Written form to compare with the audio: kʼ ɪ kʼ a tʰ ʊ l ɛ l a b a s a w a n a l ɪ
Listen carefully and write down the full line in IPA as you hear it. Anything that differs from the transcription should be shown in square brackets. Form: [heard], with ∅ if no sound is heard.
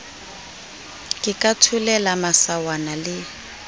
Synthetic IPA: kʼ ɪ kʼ a tʰ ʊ l ɛ l a [m] a s a w a n a l ɪ